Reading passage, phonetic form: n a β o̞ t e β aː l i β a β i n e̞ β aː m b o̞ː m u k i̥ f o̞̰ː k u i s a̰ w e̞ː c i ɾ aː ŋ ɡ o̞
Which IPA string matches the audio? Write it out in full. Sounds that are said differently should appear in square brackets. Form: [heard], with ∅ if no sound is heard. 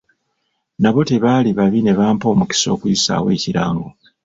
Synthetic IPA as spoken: n a β o̞ t e β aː l i β a β i n e̞ β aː m [p] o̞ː m u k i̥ [s] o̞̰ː k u i s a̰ w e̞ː c i ɾ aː ŋ ɡ o̞